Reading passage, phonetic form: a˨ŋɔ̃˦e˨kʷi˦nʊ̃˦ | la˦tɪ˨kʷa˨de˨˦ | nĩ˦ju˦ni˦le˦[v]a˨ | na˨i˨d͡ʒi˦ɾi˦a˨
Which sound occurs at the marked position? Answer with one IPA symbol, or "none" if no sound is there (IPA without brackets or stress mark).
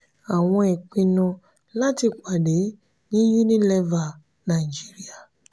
v